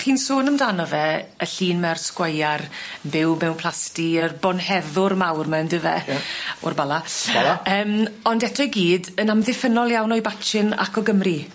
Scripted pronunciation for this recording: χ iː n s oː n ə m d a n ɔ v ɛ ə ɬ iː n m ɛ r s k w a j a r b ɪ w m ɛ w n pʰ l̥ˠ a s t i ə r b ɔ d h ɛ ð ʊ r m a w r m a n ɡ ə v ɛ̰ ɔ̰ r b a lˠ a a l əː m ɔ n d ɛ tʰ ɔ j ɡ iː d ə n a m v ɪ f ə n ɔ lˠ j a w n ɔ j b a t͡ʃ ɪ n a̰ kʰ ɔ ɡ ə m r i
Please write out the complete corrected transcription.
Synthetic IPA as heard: χ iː n s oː n ə m d a n ɔ v ɛ ə ɬ iː n m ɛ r s k w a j a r b ɪ w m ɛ w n pʰ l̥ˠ a s t i ə r b ɔ n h ɛ ð ʊ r m a w r m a n d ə v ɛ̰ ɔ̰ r b a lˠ a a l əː m ɔ n d ɛ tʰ ɔ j ɡ iː d ə n a m ð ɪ f ə n ɔ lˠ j a w n ɔ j b a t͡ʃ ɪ n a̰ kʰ ɔ ɡ ə m r i

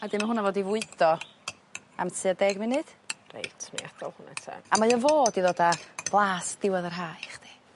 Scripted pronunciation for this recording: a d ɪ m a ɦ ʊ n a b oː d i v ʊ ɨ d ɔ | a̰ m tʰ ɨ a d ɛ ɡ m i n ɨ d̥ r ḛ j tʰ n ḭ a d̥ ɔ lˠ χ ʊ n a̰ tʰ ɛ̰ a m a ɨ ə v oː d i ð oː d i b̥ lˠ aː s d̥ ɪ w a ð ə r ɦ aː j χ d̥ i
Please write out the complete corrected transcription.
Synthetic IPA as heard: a d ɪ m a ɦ ʊ n a v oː d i v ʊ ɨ d ɔ | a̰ m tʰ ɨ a d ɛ ɡ m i n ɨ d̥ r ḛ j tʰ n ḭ a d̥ ɔ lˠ h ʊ n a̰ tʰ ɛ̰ a m a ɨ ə v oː d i ð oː d a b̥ lˠ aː s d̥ ɪ w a ð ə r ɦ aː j χ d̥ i

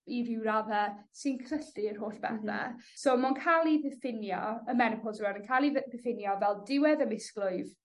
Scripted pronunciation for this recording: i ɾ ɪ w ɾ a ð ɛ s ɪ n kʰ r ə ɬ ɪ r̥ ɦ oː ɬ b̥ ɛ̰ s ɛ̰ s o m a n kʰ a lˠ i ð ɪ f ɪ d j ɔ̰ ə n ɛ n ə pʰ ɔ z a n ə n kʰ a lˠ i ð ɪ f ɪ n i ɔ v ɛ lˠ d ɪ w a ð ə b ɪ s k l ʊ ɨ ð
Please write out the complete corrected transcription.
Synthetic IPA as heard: i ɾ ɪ w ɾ a ð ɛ s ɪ n kʰ r ə ɬ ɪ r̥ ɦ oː ɬ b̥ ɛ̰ θ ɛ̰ s o m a n kʰ a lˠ i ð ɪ f ɪ n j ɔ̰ ə m ɛ n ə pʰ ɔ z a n ə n kʰ a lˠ i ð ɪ f ɪ n j ɔ v ɛ lˠ d ɪ w ɛ ð ə m ɪ s k l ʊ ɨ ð

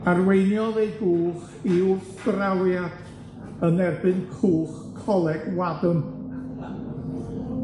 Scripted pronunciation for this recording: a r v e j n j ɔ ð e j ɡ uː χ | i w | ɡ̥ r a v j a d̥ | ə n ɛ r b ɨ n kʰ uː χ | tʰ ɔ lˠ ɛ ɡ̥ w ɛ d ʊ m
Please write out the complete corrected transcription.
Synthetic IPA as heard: a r w e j n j ɔ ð e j ɡ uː χ | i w | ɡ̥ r a w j a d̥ | ə n ɛ r b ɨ n kʰ uː χ | kʰ ɔ lˠ ɛ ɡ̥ w a d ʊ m

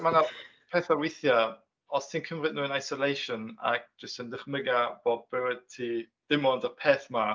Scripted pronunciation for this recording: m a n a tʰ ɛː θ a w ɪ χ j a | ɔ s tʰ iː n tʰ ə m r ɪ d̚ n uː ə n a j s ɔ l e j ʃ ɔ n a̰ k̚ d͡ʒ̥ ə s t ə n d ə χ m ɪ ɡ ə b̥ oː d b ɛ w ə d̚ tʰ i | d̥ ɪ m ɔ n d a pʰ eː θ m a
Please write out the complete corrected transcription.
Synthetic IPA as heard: m a n a pʰ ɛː θ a w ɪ θ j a | ɔ s tʰ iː n kʰ ə m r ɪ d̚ n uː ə n a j s ɔ l e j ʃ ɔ n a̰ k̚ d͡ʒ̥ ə s t ə n d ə χ m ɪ ɡ a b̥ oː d b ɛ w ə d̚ tʰ i | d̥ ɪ m ɔ n d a pʰ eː θ m a

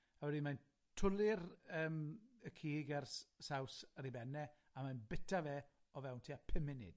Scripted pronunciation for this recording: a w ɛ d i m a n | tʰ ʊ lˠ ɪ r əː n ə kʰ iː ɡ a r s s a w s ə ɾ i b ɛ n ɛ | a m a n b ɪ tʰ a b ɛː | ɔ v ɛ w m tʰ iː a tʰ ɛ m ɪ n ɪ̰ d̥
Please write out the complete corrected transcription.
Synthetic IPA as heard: a w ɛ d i m a n | tʰ ʊ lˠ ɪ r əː m ə kʰ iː ɡ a r s s a w s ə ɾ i b ɛ n ɛ | a m a n b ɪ tʰ a v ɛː | ɔ v ɛ w n tʰ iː a pʰ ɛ m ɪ n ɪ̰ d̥

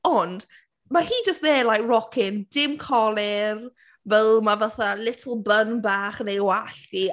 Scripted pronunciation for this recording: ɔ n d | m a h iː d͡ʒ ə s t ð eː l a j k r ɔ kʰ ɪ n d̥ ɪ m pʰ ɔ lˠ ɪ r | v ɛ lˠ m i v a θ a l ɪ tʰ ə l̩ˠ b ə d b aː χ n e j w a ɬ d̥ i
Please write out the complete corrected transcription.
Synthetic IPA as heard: ɔ n d | m a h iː d͡ʒ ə s t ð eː l a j k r ɔ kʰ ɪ n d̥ ɪ m kʰ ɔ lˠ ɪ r | v ɛ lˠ m a v a θ a l ɪ tʰ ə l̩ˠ b ə n b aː χ n e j w a ɬ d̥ i

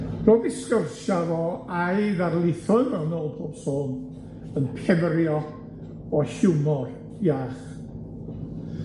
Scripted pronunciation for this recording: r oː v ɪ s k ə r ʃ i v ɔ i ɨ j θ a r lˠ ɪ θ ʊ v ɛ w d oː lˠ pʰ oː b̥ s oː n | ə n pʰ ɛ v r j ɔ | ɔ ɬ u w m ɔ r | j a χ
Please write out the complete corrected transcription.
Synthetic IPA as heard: r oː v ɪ s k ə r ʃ a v ɔ a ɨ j ð a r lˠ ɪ θ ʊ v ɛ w n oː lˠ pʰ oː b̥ s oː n | ə n pʰ ɛ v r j ɔ | ɔ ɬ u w m ɔ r | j a χ

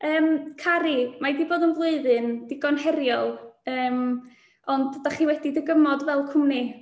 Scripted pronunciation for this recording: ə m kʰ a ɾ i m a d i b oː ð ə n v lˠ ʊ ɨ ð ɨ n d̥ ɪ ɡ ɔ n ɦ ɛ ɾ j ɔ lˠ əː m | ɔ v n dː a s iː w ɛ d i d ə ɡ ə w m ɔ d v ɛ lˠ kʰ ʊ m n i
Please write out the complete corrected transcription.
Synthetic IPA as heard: əː m kʰ a ɾ i m a d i b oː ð ə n v lˠ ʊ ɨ ð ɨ n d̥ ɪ ɡ ɔ n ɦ ɛ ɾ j ɔ lˠ əː m | ɔ n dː a χ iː w ɛ d i d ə ɡ ə m ɔ d v ɛ lˠ kʰ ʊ m n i

